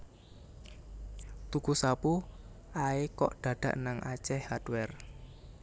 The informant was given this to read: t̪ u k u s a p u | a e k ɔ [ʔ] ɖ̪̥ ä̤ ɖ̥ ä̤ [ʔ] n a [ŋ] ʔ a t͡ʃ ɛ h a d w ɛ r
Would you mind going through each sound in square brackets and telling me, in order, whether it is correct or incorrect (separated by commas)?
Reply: correct, correct, correct